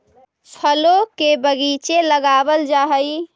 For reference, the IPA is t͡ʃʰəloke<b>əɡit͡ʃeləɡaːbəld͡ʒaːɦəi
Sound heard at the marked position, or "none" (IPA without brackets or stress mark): b